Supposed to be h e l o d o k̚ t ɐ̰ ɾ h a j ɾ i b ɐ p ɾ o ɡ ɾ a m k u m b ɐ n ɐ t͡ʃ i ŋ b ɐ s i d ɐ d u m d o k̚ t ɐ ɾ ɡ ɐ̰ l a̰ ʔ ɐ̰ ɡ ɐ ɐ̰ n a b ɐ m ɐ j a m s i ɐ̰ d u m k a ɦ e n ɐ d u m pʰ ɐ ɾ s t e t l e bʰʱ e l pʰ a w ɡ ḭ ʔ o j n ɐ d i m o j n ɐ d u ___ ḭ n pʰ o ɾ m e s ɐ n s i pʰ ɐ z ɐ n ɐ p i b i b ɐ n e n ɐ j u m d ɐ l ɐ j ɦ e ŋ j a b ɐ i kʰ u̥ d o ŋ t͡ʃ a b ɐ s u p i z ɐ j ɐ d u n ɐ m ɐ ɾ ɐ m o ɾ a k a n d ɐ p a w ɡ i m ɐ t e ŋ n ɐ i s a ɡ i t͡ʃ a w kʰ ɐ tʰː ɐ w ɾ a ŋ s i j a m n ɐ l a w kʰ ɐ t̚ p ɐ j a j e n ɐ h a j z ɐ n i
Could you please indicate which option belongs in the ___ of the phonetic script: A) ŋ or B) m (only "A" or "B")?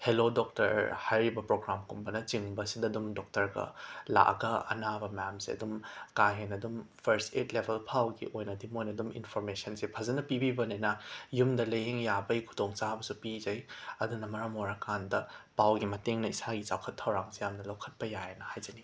B